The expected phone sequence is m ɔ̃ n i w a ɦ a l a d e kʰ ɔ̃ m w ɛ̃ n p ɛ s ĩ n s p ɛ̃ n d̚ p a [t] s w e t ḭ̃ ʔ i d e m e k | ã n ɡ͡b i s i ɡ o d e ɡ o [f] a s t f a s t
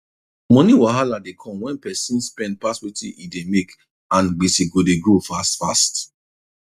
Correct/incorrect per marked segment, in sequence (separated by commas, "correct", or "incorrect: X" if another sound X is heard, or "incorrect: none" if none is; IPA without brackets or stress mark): incorrect: none, correct